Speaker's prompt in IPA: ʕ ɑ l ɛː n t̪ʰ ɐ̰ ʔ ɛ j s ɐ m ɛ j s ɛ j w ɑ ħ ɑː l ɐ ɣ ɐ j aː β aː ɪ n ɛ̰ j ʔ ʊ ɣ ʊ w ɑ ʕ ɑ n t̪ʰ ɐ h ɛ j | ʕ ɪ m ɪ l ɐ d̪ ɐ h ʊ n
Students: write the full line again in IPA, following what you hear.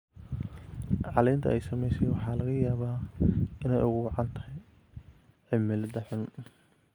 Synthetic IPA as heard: ʕ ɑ l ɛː n t̪ʰ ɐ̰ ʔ ɛ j s ɐ m ɛ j s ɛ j w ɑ ħ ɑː l ɐ ɣ ɐ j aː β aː ɪ n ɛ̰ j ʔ ʊ ɣ ʊ w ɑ ʕ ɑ n t̪ʰ ɐ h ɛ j | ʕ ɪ m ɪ l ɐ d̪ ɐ ħ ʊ n